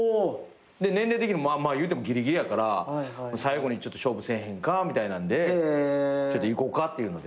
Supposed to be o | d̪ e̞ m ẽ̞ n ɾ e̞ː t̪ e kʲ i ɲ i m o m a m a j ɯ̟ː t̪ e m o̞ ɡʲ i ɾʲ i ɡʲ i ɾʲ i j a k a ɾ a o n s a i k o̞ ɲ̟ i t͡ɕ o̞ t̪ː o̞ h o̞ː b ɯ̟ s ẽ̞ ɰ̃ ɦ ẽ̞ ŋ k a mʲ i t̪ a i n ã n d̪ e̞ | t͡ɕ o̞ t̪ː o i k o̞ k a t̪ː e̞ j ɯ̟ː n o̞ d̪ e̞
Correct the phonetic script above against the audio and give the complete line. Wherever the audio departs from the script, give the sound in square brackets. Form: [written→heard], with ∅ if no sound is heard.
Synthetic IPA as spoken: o | d̪ e̞ [m→n] ẽ̞ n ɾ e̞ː t̪ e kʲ i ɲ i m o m a m a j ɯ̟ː t̪ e m o̞ ɡʲ i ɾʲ i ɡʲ i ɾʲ i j a k a ɾ a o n s a i [k→ɡ] o̞ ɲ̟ i t͡ɕ o̞ t̪ː o̞ [h→ɕ] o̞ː b ɯ̟ s ẽ̞ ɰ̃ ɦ ẽ̞ ŋ k a mʲ i t̪ a i n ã n d̪ e̞ | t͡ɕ o̞ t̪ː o i k o̞ k a t̪ː e̞ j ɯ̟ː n o̞ d̪ e̞